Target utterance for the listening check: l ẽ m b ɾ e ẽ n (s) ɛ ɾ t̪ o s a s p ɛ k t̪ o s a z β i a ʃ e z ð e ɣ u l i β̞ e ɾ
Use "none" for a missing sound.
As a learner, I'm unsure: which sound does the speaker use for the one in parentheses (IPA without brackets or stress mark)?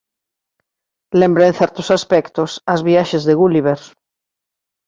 θ